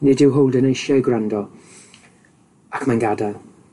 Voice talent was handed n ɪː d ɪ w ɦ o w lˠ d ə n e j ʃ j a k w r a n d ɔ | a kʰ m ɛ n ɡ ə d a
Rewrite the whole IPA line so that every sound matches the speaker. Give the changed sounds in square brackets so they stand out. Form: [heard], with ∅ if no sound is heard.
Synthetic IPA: n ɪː d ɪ w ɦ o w lˠ d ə n e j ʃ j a [ɡ] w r a n d ɔ | a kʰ m [a] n ɡ [a] d a